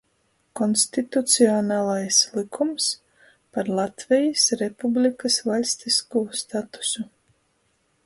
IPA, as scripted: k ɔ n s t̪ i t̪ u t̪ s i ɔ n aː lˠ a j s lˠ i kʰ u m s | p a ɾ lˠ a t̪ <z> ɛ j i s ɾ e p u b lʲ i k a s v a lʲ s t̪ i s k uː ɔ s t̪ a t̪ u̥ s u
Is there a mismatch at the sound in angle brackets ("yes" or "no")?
yes